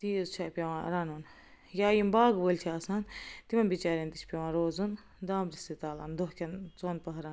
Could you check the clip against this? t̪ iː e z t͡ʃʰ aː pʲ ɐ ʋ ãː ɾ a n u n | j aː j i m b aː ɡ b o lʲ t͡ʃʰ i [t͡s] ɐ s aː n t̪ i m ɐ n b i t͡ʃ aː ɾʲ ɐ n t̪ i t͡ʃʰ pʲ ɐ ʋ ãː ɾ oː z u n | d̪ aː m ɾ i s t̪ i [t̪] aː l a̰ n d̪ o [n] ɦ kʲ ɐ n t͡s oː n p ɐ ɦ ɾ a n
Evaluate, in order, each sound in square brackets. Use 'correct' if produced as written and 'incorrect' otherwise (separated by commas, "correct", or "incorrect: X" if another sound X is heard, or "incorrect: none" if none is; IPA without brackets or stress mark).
incorrect: none, correct, incorrect: none